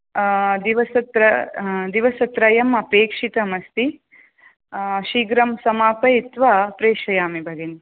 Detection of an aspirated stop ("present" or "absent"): absent